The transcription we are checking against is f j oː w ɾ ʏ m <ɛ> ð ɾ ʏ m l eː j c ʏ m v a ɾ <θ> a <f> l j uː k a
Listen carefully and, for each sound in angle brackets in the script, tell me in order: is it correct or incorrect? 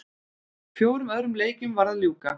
incorrect, incorrect, incorrect

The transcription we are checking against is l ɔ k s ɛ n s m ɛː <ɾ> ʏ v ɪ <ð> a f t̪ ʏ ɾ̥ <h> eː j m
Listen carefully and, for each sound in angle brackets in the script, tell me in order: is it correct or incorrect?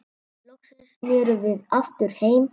correct, correct, correct

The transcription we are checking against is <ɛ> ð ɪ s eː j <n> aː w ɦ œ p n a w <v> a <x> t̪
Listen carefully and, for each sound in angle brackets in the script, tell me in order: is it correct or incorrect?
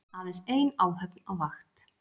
incorrect, correct, correct, correct

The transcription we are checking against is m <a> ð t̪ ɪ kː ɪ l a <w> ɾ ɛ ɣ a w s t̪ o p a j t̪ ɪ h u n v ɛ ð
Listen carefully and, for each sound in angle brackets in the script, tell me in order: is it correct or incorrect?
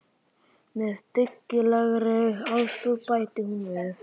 incorrect, incorrect

